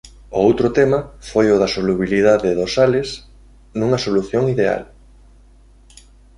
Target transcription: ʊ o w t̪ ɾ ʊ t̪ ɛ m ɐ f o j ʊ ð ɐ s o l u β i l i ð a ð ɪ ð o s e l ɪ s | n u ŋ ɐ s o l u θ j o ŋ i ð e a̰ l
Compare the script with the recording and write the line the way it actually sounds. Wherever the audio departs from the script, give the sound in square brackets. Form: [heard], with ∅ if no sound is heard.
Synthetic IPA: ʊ o w t̪ ɾ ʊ t̪ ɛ m ɐ f o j ʊ ð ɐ s o l u β i l i ð a ð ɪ ð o s [a] l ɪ s | n u ŋ ɐ s o l u θ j o ŋ i ð e a̰ l